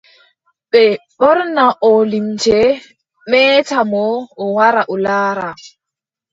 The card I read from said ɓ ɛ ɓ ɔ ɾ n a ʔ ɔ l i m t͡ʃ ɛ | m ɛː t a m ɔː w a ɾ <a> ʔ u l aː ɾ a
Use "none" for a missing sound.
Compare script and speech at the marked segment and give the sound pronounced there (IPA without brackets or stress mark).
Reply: a